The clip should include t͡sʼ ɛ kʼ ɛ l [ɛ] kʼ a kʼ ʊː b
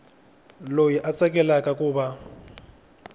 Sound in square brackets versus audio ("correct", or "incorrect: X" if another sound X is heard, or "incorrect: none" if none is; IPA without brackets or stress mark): incorrect: a